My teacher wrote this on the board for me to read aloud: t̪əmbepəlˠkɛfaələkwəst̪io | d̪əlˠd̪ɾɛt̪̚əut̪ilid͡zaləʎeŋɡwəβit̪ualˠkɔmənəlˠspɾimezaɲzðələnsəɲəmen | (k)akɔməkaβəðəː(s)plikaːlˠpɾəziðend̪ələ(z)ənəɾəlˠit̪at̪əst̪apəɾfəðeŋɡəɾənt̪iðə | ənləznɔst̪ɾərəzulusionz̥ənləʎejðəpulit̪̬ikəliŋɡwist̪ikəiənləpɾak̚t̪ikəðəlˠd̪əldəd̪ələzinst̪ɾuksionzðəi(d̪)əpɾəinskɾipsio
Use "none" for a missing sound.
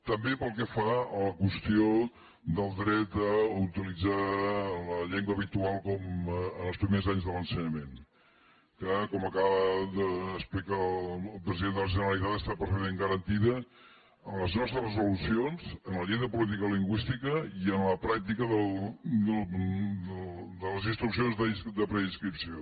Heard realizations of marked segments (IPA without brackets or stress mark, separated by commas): k, s, ʒ, d̪